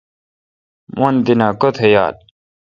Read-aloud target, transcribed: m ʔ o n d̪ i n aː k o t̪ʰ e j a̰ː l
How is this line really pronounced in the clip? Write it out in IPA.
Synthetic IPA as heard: m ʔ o n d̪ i n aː k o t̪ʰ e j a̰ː l